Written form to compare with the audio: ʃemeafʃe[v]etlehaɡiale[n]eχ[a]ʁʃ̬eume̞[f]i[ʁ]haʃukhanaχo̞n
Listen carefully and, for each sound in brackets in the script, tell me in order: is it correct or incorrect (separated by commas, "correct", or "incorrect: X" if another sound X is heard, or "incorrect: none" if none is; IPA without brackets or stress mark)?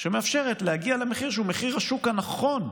incorrect: ʁ, incorrect: m, incorrect: i, incorrect: χ, correct